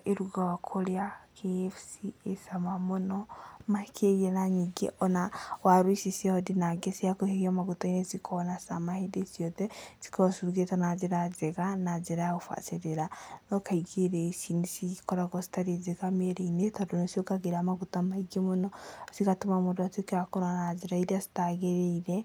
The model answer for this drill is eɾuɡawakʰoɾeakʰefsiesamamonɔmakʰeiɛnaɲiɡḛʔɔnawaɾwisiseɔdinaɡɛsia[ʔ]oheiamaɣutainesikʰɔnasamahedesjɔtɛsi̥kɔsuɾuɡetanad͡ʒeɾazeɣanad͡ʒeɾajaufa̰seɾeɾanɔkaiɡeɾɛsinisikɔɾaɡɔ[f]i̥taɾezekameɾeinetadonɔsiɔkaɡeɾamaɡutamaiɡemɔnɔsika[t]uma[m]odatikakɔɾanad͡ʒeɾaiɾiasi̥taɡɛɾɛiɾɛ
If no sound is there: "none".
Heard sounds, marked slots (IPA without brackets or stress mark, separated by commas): k, s, t, m